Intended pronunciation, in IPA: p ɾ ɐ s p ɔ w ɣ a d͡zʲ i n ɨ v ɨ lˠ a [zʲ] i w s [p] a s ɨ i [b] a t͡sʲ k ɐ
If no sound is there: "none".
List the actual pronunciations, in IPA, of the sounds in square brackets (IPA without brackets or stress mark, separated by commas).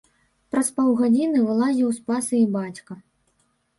zʲ, p, b